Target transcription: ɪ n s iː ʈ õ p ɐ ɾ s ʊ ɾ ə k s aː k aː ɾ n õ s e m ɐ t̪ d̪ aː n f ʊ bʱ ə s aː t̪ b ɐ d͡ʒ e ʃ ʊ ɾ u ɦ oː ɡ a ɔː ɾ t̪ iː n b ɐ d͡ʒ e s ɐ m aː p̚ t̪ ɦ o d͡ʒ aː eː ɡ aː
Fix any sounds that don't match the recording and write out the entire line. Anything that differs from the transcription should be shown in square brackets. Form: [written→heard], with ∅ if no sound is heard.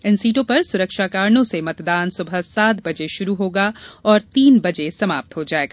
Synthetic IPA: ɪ n s iː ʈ õ p ɐ ɾ s ʊ ɾ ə k [s→ʃ] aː k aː ɾ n õ s e m ɐ t̪ d̪ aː n [f→s] ʊ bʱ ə s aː t̪ b ɐ d͡ʒ e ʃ ʊ ɾ u ɦ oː ɡ a ɔː ɾ t̪ iː n b ɐ d͡ʒ e s ɐ m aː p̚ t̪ ɦ o d͡ʒ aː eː ɡ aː